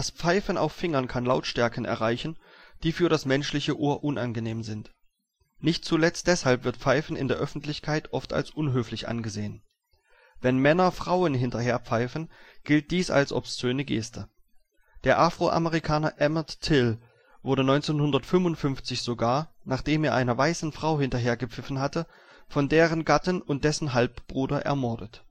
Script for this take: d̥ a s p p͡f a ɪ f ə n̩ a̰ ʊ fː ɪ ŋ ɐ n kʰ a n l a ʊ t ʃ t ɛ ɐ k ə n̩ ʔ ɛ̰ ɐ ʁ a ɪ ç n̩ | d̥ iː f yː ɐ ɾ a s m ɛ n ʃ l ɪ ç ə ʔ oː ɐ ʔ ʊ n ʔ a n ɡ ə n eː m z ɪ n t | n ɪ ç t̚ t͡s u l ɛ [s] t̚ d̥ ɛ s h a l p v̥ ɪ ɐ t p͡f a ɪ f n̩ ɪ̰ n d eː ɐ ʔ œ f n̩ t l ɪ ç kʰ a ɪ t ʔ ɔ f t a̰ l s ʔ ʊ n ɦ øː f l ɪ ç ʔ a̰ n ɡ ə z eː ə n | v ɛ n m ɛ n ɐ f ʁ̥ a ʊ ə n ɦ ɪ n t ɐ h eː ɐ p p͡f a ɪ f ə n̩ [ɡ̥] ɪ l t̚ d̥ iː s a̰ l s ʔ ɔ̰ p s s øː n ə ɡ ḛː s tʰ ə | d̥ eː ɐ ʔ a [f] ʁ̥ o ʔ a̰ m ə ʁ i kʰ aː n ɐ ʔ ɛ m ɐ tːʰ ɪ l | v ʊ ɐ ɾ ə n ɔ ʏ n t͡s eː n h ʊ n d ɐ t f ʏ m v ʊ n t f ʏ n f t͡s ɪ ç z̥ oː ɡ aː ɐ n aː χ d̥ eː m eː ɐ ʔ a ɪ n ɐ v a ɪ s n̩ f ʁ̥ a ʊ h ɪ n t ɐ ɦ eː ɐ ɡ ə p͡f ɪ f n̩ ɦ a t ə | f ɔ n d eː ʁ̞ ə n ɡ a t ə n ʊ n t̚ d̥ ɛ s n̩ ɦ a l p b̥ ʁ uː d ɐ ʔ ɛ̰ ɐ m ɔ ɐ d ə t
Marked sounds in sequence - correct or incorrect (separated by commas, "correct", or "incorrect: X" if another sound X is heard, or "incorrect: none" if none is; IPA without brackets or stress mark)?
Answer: incorrect: t͡s, correct, correct